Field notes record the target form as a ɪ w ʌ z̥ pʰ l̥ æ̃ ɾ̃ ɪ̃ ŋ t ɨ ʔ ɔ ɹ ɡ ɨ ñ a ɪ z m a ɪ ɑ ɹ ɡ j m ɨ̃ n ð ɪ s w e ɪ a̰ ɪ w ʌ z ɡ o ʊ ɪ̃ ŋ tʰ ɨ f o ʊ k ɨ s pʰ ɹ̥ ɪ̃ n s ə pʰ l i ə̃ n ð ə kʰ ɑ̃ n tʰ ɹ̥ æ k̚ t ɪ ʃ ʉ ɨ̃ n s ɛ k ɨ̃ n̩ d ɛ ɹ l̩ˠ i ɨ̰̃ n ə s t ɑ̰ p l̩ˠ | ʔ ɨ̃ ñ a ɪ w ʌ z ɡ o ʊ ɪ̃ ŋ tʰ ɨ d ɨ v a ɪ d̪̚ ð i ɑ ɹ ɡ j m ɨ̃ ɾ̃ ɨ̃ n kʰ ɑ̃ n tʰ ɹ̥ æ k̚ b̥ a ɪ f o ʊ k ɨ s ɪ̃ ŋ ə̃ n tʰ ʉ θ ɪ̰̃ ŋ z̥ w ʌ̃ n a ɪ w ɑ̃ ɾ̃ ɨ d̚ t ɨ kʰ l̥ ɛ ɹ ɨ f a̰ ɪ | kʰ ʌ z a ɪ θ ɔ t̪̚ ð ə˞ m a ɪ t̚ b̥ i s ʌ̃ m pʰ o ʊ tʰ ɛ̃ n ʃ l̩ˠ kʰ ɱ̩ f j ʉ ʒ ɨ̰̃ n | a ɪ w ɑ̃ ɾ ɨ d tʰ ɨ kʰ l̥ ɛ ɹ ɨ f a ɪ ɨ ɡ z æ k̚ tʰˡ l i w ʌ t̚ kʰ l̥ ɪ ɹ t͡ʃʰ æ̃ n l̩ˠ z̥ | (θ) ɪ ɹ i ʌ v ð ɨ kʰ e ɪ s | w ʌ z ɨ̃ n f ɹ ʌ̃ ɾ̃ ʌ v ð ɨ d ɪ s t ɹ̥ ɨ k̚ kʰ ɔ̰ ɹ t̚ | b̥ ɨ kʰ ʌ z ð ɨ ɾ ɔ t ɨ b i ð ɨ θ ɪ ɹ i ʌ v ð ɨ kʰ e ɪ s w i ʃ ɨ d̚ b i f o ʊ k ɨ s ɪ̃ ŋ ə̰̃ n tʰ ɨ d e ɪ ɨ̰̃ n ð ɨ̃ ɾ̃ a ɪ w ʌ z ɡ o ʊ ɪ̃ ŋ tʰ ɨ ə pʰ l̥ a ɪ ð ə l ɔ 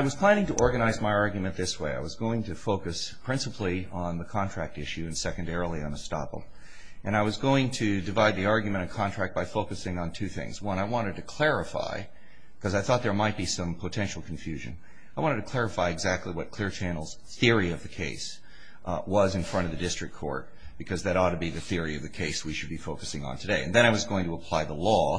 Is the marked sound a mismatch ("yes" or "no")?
no